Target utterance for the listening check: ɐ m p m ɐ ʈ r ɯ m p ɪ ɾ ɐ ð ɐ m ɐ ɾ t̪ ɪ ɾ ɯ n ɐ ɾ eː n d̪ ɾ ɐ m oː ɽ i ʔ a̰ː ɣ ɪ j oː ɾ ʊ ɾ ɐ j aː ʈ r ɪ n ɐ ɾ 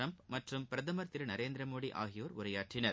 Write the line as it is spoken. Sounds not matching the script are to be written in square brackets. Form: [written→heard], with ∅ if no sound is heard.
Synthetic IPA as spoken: ɐ m p m ɐ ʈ r ɯ m p ɪ ɾ ɐ ð ɐ m ɐ ɾ t̪ ɪ ɾ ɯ n ɐ ɾ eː n d̪ ɾ ɐ m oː ɽ i ʔ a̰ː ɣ ɪ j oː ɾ ʊ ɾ ɐ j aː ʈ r ɪ n ɐ ɾ